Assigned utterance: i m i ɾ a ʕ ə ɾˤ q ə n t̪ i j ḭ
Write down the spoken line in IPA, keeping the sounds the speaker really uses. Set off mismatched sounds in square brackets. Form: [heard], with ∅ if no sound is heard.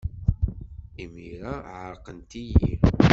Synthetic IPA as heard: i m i ɾ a ʕ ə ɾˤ q ə n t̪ i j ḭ

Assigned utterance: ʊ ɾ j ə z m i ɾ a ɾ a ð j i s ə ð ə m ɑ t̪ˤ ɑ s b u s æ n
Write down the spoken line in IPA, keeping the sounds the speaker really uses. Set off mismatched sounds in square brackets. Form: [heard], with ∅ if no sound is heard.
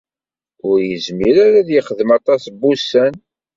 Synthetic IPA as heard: ʊ ɾ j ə z m i ɾ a ɾ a ð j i [χ] ə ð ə m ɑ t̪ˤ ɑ s b u s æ n

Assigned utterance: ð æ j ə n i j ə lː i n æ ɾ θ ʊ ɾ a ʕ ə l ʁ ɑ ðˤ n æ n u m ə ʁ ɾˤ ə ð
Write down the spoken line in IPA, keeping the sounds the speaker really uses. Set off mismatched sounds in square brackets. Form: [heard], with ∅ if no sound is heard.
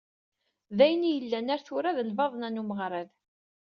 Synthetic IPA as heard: ð æ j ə n i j ə lː [æ] n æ ɾ θ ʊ ɾ a [ð] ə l [v] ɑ ðˤ n æ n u m ə ʁ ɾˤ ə ð

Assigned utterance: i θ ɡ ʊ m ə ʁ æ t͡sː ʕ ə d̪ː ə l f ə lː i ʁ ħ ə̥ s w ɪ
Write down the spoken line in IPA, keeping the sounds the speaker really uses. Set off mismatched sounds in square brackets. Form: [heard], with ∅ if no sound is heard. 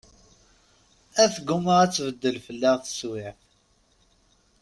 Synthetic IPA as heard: [æ] θ ɡ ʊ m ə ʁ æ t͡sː [v] ə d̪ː ə l f ə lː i ʁ [θ] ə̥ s w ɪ

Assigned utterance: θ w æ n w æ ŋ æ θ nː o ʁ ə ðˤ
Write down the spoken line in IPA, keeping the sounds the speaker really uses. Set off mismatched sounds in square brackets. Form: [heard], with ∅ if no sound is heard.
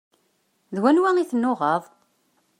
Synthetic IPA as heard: [ð] w æ n w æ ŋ [i] θ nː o ʁ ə ðˤ

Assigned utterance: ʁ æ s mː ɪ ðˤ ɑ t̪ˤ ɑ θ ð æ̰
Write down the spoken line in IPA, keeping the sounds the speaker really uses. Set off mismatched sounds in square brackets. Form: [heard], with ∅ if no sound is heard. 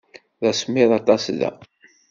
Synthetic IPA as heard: [ð] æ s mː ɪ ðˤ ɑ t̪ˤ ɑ [s] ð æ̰

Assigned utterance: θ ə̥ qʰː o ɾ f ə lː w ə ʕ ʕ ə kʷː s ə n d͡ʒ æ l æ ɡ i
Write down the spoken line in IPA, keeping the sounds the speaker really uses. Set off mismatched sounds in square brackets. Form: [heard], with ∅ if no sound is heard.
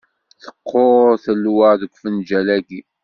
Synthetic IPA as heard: θ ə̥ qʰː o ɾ [θ] ə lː w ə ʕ [ð] ə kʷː [f] ə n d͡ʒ æ l æ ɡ i

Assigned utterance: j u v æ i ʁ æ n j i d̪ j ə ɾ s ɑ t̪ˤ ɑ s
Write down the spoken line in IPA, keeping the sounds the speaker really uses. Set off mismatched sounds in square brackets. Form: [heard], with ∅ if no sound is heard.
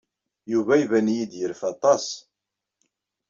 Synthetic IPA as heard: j u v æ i [v] æ n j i d̪ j ə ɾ [f] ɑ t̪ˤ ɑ s

